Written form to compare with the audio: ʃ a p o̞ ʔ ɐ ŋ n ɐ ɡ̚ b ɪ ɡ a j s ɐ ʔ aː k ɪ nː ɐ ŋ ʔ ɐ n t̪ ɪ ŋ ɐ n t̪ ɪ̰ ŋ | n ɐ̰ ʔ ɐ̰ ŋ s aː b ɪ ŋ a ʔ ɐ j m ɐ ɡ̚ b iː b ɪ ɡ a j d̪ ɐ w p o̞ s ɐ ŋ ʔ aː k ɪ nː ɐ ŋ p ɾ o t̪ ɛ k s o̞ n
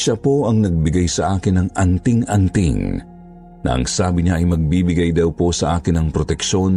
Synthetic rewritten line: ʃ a p o̞ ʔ ɐ ŋ n ɐ ɡ̚ b ɪ ɡ a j s ɐ ʔ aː k ɪ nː ɐ ŋ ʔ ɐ n t̪ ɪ ŋ ɐ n t̪ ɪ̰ ŋ | n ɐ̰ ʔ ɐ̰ ŋ s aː b ɪ ɲ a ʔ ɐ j m ɐ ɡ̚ b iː b ɪ ɡ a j d̪ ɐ w p o̞ s ɐ ʔ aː k ɪ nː ɐ ŋ p ɾ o t̪ ɛ k ʃ o̞ n